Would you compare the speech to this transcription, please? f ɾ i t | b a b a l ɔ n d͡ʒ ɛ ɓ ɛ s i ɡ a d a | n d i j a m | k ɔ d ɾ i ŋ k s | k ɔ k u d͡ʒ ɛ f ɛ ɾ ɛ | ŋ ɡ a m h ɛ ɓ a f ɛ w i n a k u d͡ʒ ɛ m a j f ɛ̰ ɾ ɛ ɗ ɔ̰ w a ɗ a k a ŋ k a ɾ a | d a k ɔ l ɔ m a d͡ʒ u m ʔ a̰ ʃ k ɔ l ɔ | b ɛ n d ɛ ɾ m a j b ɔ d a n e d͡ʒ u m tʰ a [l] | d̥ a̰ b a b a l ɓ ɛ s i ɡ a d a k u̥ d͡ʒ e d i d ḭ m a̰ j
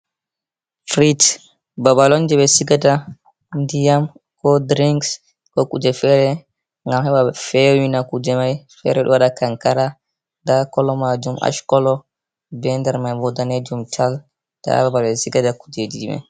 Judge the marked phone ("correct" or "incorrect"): correct